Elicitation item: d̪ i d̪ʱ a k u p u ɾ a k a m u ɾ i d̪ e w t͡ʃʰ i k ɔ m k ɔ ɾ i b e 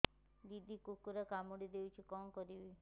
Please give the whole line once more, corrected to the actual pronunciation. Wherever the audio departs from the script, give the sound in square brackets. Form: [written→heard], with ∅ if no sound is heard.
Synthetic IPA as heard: d̪ i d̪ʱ [a→i] k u [p→k] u ɾ a k a m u [ɾ→ɽ] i d̪ e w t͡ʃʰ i k ɔ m k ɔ ɾ i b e